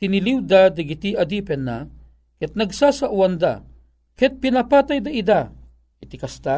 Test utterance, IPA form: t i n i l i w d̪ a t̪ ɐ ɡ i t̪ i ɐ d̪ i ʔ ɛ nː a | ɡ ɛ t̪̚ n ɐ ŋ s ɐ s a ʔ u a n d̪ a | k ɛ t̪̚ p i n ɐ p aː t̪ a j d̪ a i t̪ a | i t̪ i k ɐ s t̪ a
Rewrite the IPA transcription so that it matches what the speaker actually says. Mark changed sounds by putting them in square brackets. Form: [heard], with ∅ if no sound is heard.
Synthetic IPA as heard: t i n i l i w d̪ a [d̪] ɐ ɡ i t̪ i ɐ d̪ i [p] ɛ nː a | [k] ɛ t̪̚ n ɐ [ɡ] s [a] s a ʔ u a n d̪ a | k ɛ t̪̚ p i n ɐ p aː t̪ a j d̪ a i [d̪] a | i t̪ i k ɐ s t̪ a